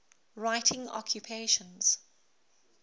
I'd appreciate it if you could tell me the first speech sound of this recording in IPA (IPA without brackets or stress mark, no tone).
ɹ